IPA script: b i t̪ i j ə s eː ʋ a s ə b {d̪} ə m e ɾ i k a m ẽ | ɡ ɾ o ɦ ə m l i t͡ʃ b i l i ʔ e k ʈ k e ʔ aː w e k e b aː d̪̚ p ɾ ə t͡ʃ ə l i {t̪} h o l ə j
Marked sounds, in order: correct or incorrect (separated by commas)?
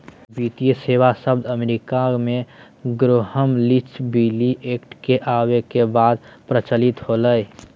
correct, correct